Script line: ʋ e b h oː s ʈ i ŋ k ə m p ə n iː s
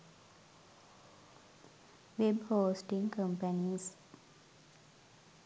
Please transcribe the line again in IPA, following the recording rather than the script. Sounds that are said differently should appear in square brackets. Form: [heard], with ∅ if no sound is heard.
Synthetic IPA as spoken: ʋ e b h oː s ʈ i ŋ k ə m p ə n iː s